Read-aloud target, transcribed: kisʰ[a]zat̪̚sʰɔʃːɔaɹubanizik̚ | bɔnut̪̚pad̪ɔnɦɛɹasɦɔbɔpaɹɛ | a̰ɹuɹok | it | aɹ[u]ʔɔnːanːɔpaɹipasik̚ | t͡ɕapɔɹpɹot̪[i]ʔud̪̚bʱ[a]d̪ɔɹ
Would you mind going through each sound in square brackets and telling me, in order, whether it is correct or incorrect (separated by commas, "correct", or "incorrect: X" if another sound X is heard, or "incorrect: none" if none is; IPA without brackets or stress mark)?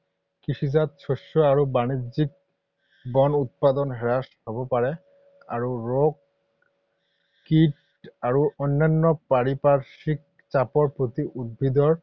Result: incorrect: i, correct, correct, incorrect: i